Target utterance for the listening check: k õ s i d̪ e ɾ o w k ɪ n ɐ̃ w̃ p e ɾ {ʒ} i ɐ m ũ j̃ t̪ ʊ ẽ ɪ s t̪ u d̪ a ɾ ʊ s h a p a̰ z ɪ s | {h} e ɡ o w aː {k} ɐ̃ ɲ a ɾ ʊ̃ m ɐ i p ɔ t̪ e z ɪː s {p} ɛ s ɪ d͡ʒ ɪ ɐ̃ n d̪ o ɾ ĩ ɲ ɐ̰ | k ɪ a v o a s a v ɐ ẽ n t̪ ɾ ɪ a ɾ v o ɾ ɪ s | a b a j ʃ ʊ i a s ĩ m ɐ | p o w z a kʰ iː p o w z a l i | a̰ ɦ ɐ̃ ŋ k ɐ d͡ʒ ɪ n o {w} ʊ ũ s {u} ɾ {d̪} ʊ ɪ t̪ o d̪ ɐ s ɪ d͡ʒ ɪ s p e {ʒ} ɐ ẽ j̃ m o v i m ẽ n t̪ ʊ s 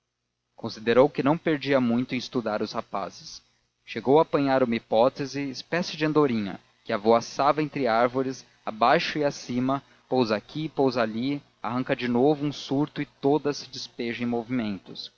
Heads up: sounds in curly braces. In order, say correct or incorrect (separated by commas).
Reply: incorrect, incorrect, incorrect, correct, incorrect, correct, incorrect, correct